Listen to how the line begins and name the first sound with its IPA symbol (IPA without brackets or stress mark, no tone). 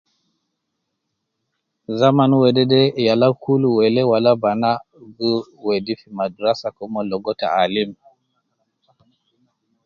z